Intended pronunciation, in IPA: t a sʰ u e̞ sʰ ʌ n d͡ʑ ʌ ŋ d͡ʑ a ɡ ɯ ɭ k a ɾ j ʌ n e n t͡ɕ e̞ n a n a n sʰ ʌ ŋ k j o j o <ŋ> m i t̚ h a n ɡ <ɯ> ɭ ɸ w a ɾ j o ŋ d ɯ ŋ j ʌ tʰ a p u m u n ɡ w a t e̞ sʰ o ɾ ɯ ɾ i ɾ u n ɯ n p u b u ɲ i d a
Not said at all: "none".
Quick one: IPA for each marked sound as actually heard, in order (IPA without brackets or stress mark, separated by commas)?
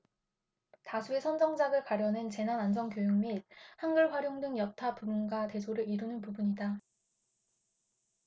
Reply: ŋ, ɯ